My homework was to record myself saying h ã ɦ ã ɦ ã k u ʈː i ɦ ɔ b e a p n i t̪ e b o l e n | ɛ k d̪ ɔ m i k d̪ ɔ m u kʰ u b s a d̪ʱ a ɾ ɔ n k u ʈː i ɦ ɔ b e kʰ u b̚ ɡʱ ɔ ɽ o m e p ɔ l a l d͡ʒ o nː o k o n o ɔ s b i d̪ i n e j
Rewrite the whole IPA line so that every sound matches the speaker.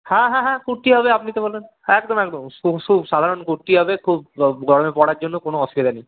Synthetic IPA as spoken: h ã ɦ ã ɦ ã k u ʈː i ɦ ɔ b e a p n i t̪ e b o l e n | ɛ k d̪ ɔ m ɛ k d̪ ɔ m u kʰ u b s a d̪ʱ a ɾ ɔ n k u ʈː i ɦ ɔ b e kʰ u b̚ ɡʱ ɔ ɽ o m e p ɔ ɽ a ɾ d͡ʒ o nː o k o n o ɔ s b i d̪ a n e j

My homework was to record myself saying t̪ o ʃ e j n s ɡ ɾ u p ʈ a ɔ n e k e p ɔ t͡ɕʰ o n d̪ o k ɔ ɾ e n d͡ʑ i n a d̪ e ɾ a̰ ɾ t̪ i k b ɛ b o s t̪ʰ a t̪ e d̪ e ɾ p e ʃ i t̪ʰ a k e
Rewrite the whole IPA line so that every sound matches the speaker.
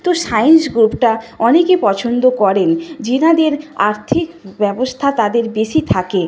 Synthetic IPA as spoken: t̪ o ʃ a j n s ɡ ɾ u p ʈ a ɔ n e k e p ɔ t͡ɕʰ o n d̪ o k ɔ ɾ e n d͡ʑ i n a d̪ e ɾ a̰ ɾ t̪ʰ i k b ɛ b o s t̪ʰ a t̪ a d̪ e ɾ b e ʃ i t̪ʰ a k e

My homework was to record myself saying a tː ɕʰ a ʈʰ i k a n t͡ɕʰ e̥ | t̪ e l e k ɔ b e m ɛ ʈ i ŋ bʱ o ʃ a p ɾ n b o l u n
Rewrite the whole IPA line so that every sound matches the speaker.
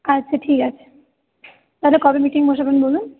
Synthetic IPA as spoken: a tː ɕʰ a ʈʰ i k a t͡ɕʰ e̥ | t̪ a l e k ɔ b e m i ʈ i ŋ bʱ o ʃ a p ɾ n b o l u n

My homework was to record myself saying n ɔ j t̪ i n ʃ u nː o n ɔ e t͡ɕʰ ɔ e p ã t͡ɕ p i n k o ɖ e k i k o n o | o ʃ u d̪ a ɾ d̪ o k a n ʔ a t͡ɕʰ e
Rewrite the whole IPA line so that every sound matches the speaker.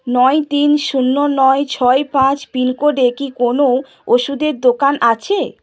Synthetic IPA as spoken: n ɔ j t̪ i n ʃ u nː o n ɔ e t͡ɕʰ ɔ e p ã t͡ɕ p i n k o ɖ e k i k o n o | o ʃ u d̪ e ɾ d̪ o k a n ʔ a t͡ɕʰ e

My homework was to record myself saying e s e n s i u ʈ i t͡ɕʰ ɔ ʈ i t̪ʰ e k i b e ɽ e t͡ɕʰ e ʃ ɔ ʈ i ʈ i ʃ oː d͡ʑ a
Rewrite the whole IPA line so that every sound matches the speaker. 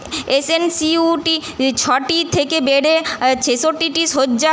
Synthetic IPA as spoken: e s e n s i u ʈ i t͡ɕʰ ɔ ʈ i t̪ʰ e k e b e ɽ e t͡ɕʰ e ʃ o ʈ i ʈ i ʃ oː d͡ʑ a

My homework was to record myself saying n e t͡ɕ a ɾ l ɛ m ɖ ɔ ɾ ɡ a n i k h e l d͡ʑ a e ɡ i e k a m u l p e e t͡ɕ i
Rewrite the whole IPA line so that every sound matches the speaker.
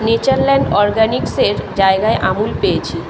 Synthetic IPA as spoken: n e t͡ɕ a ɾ l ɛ ɳ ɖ ɔ ɾ ɡ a n i k s e ɾ d͡ʑ a e ɡ a e ʔ a m u l p e e t͡ɕʰ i

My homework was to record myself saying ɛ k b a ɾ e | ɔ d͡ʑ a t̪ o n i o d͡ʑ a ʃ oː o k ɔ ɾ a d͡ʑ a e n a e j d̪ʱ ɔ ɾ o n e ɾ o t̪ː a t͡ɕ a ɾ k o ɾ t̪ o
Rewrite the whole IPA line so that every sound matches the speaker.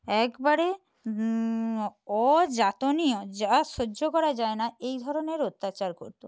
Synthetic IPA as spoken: ɛ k b a ɾ e | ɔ d͡ʑ a t̪ o n i o d͡ʑ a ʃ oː o k ɔ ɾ a d͡ʑ a e n a e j d̪ʱ ɔ ɾ o n e ɾ o t̪ː a t͡ɕ a ɾ k o ɾ t̪ o

